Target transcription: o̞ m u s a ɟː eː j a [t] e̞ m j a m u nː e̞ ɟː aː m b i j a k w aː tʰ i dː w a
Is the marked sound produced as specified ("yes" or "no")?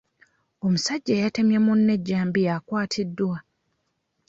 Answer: yes